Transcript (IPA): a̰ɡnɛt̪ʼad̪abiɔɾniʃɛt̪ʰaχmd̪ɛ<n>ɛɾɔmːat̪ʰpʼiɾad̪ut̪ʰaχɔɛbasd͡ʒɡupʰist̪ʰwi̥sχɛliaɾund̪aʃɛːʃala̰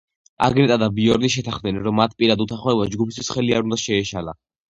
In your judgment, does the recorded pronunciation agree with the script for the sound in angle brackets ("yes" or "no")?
yes